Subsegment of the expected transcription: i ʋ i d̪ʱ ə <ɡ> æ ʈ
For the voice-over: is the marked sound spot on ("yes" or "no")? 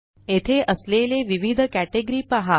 no